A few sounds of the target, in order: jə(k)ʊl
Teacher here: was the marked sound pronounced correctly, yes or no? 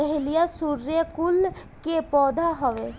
yes